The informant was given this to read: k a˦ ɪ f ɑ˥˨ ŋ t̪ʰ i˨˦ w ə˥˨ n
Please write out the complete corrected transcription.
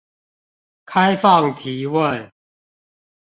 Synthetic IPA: kʰ a˦ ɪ f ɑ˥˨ ŋ t̪ʰ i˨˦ w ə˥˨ n